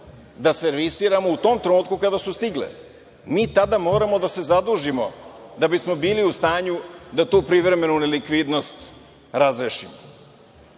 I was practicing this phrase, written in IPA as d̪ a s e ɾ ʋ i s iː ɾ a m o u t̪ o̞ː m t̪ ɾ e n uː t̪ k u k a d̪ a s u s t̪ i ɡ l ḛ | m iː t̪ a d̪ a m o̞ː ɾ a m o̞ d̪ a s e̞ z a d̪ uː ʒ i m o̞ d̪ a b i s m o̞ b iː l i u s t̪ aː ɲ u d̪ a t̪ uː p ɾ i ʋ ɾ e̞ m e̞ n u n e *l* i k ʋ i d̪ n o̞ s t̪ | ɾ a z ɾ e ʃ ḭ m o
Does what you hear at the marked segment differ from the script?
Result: no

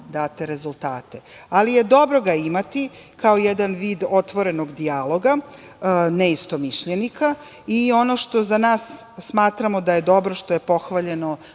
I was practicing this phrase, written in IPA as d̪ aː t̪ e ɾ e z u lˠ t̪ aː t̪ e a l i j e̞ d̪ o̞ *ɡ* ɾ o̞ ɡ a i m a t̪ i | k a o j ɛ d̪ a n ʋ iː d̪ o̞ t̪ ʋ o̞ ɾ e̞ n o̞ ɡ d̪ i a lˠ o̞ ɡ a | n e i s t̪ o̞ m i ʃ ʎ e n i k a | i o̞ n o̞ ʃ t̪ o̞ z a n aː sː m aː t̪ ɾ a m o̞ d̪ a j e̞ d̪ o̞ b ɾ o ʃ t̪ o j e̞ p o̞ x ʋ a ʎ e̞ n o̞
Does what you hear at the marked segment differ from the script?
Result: yes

